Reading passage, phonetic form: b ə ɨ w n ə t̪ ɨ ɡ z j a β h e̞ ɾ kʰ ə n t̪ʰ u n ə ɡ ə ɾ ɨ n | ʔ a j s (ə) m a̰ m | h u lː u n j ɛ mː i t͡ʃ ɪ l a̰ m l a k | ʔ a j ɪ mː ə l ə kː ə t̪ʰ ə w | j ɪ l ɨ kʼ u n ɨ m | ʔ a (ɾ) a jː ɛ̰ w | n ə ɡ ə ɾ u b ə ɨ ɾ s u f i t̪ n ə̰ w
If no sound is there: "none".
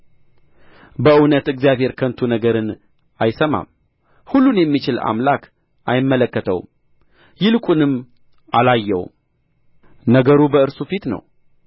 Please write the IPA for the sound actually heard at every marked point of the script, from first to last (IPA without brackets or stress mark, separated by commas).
ə, l